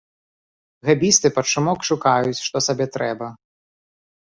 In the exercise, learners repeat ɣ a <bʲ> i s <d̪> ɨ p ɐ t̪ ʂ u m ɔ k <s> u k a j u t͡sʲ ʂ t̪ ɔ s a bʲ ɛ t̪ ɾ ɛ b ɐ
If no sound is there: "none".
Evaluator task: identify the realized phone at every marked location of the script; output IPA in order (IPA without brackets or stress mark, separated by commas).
bʲ, t̪, ʂ